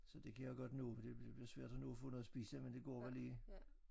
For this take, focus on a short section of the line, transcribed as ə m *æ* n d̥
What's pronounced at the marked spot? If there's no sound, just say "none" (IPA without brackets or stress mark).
e